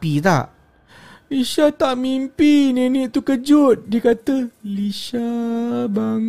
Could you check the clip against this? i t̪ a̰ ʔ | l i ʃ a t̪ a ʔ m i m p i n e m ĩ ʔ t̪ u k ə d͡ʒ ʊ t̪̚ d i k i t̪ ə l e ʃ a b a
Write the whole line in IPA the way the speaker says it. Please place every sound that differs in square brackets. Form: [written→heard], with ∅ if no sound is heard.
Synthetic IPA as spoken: i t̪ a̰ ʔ | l i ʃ a t̪ a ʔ m i m p i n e [m→n] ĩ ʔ t̪ u k ə d͡ʒ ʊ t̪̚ d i k [i→a] t̪ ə l [e→i] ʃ a b a